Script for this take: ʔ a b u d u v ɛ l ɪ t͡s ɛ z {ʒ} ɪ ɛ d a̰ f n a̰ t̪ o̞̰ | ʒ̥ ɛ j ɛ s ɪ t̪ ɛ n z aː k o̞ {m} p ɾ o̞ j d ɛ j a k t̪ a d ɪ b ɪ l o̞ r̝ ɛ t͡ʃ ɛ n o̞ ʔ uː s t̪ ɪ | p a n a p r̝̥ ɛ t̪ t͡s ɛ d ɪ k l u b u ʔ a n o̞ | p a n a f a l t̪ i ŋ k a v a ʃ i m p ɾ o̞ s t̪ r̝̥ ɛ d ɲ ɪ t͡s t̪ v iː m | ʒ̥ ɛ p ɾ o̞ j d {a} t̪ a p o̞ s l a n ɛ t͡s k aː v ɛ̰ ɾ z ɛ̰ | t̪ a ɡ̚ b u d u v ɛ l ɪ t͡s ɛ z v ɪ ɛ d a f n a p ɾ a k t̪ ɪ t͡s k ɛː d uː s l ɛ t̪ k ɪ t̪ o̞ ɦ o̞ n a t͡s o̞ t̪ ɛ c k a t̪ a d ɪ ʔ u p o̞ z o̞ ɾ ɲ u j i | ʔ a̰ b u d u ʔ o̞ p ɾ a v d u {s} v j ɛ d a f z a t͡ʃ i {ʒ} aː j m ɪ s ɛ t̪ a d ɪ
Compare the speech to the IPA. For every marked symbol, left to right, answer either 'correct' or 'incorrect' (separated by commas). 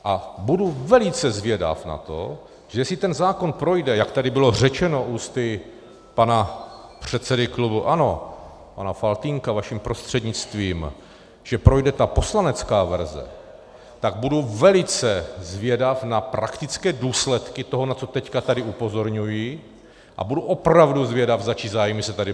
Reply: incorrect, incorrect, incorrect, incorrect, incorrect